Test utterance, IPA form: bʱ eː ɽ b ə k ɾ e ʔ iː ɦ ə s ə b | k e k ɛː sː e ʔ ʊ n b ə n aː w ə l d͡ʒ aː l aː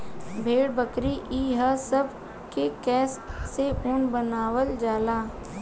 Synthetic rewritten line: bʱ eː ɽ b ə k ɾ i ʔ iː ɦ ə s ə b | k e k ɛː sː e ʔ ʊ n b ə n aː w ə l d͡ʒ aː l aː